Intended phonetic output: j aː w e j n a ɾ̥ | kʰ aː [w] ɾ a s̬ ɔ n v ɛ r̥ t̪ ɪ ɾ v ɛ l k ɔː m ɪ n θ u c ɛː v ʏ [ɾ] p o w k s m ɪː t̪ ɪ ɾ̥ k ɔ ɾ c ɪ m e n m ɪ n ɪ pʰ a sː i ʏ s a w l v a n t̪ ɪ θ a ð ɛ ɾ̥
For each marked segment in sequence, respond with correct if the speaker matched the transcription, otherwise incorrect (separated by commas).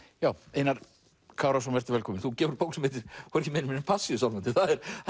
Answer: correct, correct